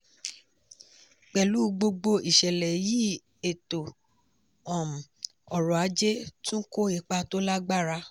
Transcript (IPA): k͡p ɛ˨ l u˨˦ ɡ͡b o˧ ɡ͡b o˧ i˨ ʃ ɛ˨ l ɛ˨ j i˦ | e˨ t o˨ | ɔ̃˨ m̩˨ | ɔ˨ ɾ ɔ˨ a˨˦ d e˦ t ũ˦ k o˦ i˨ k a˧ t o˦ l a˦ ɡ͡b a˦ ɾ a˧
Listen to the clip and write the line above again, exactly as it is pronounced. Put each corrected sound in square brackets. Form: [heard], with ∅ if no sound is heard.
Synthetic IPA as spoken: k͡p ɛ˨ l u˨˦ ɡ͡b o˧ ɡ͡b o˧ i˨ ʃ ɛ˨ l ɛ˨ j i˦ | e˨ t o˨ | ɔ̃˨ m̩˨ | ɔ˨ ɾ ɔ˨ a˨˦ [d͡ʒ] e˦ t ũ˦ k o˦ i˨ [k͡p] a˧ t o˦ l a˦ ɡ͡b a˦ ɾ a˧

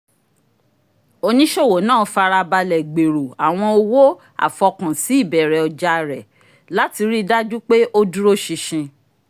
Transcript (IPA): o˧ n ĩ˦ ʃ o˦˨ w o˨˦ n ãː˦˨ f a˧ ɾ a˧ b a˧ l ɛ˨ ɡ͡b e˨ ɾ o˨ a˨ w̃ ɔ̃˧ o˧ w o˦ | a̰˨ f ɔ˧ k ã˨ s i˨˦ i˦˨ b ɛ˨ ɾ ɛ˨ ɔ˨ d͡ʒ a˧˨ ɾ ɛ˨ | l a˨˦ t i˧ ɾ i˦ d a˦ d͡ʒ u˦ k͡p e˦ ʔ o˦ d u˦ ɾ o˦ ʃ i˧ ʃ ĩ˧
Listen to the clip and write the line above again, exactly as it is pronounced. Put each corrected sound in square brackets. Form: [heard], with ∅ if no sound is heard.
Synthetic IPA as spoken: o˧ n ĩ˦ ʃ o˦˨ w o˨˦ n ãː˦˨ f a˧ ɾ a˧ b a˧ l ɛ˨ ɡ͡b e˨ ɾ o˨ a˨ w̃ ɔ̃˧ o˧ w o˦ | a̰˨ f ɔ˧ k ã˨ s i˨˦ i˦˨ b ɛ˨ ɾ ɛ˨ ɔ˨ d͡ʒ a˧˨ ɾ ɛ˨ | l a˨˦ t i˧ ɾ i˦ d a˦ d͡ʒ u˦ k͡p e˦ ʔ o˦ d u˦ ɾ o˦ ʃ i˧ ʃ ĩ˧

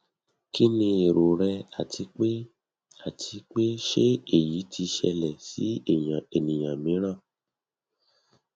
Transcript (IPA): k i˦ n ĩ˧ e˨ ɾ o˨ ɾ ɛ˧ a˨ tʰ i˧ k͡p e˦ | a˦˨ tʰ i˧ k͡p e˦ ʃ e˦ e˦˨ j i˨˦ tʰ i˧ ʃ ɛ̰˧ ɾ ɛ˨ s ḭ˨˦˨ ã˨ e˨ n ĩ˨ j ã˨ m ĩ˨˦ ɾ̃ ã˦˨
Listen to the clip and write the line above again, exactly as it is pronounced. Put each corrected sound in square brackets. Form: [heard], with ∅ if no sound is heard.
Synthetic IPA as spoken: k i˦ n ĩ˧ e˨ ɾ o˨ ɾ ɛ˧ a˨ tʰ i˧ k͡p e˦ | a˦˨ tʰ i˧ k͡p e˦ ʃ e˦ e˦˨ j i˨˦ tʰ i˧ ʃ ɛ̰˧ [l] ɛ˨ s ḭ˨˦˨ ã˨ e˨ n ĩ˨ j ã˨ m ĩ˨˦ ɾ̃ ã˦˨

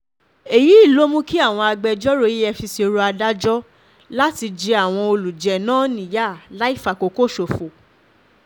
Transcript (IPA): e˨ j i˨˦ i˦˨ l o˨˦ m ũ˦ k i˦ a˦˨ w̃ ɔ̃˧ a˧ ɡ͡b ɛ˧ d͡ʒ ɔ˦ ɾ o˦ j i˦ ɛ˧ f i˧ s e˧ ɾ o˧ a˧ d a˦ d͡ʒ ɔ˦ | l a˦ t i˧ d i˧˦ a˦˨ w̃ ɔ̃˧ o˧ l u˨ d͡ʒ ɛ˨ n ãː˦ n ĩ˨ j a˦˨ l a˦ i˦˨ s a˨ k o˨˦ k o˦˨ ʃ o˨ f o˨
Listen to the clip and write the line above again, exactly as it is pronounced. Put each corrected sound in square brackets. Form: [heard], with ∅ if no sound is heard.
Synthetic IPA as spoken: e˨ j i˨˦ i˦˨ l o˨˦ m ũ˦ k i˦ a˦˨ w̃ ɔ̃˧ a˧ ɡ͡b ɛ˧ d͡ʒ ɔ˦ ɾ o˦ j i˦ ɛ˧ f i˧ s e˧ ɾ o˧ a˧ d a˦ d͡ʒ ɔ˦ | l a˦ t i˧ [d͡ʒ] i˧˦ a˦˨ w̃ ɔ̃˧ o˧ l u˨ d͡ʒ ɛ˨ n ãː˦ n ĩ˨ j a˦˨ l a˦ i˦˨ [f] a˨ k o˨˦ k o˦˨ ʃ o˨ f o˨

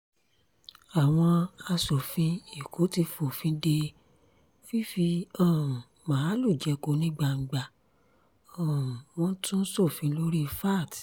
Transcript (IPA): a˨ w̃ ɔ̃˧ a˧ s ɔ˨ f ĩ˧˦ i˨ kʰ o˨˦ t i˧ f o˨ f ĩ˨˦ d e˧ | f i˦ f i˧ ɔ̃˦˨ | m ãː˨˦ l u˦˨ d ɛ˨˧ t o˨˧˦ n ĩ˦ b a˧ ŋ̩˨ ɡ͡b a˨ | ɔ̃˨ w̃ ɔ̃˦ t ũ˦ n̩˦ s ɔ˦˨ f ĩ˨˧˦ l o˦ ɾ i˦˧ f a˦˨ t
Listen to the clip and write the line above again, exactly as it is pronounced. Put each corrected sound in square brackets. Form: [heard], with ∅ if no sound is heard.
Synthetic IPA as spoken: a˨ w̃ ɔ̃˧ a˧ s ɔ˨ f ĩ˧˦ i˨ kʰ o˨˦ t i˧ f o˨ f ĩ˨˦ d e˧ | f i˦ f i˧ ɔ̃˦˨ | m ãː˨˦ l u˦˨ [d͡ʒ] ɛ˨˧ [k] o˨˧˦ n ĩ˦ [ɡ͡b] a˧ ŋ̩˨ ɡ͡b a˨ | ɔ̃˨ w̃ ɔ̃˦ t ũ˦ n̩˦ s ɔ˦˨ f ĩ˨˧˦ l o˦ ɾ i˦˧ f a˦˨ t

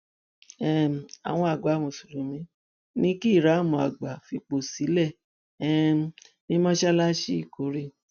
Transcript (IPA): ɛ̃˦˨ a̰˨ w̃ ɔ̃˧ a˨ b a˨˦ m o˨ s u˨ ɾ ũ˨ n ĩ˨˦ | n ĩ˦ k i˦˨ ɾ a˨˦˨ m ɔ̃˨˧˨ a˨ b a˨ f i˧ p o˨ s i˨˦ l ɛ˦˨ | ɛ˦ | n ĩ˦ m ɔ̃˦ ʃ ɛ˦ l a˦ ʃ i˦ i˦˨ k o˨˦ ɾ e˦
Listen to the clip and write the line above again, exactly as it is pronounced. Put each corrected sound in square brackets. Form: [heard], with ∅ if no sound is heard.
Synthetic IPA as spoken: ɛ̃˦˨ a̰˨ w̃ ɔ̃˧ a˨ [ɡ͡b] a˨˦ m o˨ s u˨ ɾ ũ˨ [m] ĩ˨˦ | n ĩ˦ k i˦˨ ɾ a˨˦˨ m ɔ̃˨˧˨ a˨ [ɡ͡b] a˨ f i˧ [k͡p] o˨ s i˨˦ l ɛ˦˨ | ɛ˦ | n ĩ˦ m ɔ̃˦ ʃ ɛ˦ l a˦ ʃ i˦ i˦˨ k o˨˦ ɾ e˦

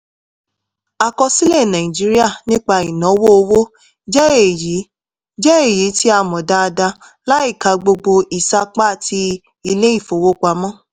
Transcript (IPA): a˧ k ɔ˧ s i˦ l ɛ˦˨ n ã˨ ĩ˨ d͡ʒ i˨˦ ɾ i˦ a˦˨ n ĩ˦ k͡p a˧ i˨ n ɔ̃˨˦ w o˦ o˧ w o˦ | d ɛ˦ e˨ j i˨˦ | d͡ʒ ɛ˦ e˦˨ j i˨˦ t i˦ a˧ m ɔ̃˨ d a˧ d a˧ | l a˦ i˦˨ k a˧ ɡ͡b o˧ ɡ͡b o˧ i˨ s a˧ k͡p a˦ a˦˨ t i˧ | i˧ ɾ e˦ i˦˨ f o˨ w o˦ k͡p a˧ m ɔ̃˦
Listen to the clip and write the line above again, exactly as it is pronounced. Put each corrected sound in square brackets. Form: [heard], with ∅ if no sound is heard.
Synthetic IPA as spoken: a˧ k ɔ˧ s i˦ l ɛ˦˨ n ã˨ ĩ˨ d͡ʒ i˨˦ ɾ i˦ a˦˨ n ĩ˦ k͡p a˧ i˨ n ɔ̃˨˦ w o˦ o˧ w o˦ | [d͡ʒ] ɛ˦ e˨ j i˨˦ | d͡ʒ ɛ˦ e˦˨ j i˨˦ t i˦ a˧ m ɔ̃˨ d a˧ d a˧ | l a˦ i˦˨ k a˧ ɡ͡b o˧ ɡ͡b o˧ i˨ s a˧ k͡p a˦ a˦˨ t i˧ | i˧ [l] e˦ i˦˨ f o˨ w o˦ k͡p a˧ m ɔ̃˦

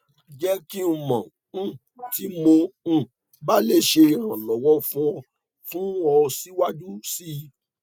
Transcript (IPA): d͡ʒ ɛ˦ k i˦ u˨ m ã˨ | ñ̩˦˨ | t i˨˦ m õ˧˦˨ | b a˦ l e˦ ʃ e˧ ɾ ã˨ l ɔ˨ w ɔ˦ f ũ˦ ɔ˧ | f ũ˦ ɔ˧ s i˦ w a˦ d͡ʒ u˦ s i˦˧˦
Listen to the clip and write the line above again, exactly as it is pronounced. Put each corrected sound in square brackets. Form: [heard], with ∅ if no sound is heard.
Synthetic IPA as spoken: d͡ʒ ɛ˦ k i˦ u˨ m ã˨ | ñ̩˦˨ | t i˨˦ m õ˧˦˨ | b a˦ l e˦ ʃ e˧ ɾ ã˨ l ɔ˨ w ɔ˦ f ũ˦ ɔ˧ | f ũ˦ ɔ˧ s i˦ w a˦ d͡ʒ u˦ s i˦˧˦

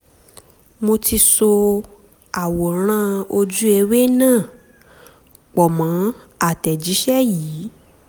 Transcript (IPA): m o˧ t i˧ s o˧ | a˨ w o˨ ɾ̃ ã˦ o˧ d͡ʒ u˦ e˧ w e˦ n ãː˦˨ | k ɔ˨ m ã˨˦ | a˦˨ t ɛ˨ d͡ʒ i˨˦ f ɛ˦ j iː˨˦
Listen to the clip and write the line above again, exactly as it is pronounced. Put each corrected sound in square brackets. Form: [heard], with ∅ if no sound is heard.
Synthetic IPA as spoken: m o˧ t i˧ s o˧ | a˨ w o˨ ɾ̃ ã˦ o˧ d͡ʒ u˦ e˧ w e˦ n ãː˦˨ | [k͡p] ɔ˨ m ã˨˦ | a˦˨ t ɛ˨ d͡ʒ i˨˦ [ʃ] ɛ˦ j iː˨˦

